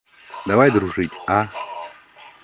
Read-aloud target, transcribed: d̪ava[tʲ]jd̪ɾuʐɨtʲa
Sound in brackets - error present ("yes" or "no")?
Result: yes